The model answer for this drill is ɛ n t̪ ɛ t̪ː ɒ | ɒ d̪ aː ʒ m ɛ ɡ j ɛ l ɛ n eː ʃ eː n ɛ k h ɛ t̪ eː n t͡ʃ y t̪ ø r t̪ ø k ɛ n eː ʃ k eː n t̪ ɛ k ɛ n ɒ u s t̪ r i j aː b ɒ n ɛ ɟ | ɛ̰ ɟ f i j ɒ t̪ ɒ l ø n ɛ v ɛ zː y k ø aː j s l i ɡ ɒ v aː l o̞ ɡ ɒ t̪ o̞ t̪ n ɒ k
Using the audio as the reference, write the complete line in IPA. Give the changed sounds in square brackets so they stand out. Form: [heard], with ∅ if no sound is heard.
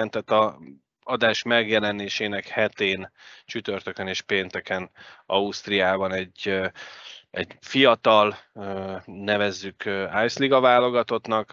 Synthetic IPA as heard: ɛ n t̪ ɛ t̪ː ɒ | ɒ d̪ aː [ʃ] m ɛ ɡ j ɛ l ɛ n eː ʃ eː n ɛ k h ɛ t̪ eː n t͡ʃ y t̪ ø r t̪ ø k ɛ n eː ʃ [p] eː n t̪ ɛ k ɛ n ɒ u s t̪ r i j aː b ɒ n ɛ ɟ | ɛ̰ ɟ f i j ɒ t̪ ɒ l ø n ɛ v ɛ zː y k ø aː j s l i ɡ ɒ v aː l o̞ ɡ ɒ t̪ o̞ t̪ n ɒ k